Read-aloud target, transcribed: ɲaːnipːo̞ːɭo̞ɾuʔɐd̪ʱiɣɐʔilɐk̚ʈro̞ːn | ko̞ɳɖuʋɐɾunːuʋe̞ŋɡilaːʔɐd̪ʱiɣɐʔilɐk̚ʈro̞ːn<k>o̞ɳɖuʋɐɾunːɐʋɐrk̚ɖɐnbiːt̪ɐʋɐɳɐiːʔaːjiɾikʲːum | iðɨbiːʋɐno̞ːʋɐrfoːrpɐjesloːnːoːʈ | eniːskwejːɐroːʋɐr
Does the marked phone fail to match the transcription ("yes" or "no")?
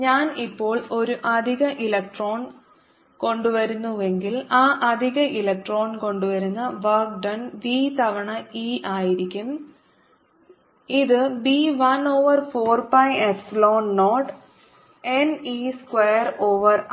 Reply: no